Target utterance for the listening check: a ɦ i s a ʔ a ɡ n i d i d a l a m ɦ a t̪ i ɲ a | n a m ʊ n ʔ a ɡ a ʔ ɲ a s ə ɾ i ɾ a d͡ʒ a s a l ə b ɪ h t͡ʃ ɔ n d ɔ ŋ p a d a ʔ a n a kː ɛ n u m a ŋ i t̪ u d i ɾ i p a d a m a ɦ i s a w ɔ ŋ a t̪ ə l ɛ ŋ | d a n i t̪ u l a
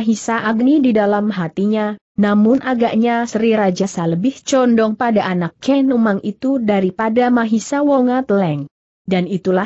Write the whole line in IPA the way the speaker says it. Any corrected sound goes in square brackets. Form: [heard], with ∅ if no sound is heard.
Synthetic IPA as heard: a ɦ i s a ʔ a ɡ n i d i d a l a m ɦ a t̪ i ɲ a | n a m ʊ n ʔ a ɡ a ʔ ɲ a s ə ɾ i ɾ a d͡ʒ a s a l ə b ɪ h t͡ʃ ɔ n d ɔ ŋ p a d a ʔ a n a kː ɛ n u m a ŋ i t̪ u d [a] ɾ i p a d a m a ɦ i s a w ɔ ŋ a t̪ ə l ɛ ŋ | d a n i t̪ u l a